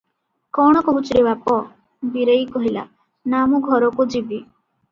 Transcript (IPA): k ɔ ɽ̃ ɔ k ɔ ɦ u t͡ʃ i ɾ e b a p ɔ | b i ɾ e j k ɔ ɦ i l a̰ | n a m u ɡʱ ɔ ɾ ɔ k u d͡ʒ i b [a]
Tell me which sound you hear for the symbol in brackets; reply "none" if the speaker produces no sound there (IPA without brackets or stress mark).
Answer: i